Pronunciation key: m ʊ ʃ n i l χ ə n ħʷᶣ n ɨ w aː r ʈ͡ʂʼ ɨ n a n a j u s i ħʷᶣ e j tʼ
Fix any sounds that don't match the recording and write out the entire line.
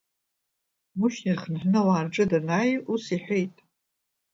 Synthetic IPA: m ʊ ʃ n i r χ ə n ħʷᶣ n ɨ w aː r ʈ͡ʂʼ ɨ d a n a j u s i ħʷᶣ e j tʼ

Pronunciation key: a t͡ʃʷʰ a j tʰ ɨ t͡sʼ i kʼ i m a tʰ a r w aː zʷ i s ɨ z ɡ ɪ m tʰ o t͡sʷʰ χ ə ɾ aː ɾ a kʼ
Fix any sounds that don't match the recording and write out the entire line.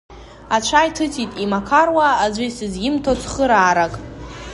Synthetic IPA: a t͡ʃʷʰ a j tʰ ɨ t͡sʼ i tʼ i m a kʰ a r w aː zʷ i s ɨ z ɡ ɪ m tʰ o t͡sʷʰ χ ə ɾ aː ɾ a kʼ

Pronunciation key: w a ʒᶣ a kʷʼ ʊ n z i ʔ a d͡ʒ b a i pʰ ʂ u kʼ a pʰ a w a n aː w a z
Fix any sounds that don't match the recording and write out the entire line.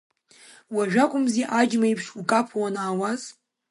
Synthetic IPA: w a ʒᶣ a kʷʼ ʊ m z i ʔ a d͡ʒ m a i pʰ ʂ u kʼ a pʰ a w a n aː w a z

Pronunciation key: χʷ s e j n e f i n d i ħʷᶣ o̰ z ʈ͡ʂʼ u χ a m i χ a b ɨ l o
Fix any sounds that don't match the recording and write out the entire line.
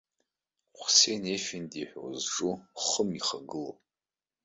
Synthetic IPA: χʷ s e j n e f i n d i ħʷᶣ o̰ z ʈ͡ʂʼ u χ ə m i χ a ɡ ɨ l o

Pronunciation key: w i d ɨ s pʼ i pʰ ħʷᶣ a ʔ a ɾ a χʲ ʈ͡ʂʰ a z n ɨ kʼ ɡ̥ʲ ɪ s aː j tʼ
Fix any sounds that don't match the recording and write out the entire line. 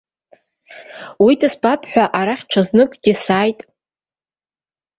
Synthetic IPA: w i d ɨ s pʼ a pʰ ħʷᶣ a ʔ a ɾ a χʲ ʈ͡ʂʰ a z n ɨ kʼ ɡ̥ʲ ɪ s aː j tʼ

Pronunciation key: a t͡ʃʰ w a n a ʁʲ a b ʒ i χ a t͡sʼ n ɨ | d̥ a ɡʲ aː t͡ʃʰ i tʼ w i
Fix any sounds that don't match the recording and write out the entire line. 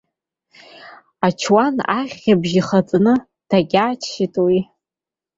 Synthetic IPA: a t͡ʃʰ w a n a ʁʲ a b ʒ i χ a t͡sʼ n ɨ | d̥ a ɡʲ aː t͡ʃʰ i tʼ w i

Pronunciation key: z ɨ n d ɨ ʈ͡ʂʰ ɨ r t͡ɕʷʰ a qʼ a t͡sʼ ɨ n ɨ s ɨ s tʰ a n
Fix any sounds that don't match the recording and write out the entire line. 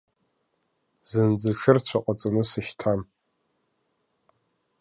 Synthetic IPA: z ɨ n d͡z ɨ ʈ͡ʂʰ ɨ r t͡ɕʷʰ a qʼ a t͡sʼ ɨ n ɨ s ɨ ʃ tʰ a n

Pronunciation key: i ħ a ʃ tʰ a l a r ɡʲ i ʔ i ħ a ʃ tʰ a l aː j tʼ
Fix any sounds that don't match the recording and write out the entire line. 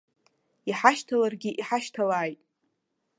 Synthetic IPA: i ħ a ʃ tʰ a l a r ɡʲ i ʔ i ħ a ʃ tʰ a l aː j tʼ

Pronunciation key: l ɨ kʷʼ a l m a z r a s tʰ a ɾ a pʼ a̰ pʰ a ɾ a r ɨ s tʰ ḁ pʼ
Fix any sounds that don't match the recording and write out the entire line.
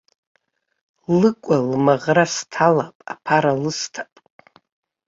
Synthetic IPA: l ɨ kʷʼ a l m a ʁ r a s tʰ a l a pʼ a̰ pʰ a ɾ a l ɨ s tʰ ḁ pʼ

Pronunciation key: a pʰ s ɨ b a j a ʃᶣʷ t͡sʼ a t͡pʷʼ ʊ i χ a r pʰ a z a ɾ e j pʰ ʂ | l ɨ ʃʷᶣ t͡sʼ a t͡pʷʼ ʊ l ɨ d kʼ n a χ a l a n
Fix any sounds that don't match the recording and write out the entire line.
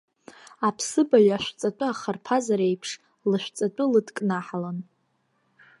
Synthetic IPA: a pʰ s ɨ b a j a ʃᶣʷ t͡sʼ a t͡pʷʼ ʊ a χ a r pʰ a z a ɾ e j pʰ ʂ | l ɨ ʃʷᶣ t͡sʼ a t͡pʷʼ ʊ l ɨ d kʼ n a ħ a l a n

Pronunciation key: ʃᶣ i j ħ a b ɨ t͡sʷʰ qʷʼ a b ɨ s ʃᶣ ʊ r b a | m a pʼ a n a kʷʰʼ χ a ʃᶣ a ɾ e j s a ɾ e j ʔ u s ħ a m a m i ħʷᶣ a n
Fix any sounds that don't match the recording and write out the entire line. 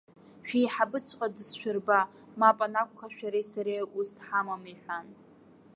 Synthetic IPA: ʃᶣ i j ħ a b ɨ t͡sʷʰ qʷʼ a d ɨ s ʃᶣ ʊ r b a | m a pʼ a n a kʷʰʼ χ a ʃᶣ a ɾ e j s a ɾ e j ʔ u s ħ a m a m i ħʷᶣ a n

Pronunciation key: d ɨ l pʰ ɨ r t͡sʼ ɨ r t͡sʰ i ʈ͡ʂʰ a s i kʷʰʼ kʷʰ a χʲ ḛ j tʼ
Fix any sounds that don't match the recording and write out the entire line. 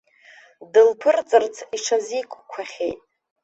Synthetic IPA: d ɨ l pʰ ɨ r t͡sʼ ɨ r t͡sʰ i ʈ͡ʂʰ a z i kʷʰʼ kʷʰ a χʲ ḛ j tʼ

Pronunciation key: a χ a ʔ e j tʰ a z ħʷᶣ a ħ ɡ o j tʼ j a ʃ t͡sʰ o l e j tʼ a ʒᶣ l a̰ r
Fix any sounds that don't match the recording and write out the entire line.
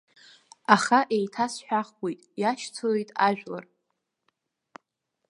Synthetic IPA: a χ a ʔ e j tʰ a s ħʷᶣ a χ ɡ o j tʼ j a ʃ t͡sʰ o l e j tʼ a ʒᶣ l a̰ r

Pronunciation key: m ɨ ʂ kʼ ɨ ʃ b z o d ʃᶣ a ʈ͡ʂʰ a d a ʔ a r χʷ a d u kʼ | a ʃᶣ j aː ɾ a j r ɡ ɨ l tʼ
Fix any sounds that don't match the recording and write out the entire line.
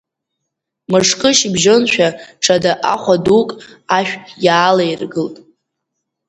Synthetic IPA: m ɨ ʂ kʼ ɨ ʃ b ʒ o n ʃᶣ a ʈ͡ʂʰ a d a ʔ a χʷ a d u kʼ | a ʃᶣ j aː l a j r ɡ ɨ l tʼ

